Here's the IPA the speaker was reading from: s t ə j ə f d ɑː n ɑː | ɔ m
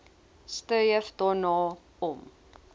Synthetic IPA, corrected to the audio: s t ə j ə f d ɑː n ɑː | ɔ m